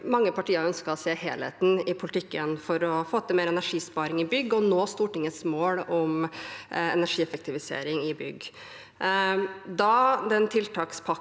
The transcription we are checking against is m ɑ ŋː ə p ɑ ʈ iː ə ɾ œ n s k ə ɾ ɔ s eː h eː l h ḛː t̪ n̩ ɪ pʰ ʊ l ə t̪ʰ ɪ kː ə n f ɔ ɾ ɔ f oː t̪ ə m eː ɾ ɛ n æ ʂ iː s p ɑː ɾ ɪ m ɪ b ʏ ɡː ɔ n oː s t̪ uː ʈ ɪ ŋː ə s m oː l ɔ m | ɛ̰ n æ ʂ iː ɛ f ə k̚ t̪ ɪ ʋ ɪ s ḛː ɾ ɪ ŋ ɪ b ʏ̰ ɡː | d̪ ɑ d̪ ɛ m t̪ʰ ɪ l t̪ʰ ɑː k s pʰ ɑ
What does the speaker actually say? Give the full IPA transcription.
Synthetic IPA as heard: m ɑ ŋː ə p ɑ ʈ iː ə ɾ œ n s k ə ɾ ɔ s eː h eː l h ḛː t̪ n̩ ɪ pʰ ʊ l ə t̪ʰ ɪ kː ə n f ɔ ɾ ɔ f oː t̪ ə m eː ɾ ɛ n æ ʂ iː s p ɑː ɾ ɪ ŋ ɪ b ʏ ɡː ɔ n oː s t̪ uː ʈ ɪ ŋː ə s m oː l ɔ m | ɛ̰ n æ ʂ iː ɛ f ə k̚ t̪ ɪ ʋ ɪ s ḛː ɾ ɪ ŋ ɪ b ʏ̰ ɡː | d̪ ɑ d̪ ɛ n t̪ʰ ɪ l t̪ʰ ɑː k s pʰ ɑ